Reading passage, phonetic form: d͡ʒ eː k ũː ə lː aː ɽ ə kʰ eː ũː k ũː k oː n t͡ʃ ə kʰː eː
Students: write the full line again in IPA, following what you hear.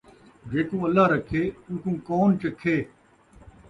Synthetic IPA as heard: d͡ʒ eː k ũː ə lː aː ɾ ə kʰ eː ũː k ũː k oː n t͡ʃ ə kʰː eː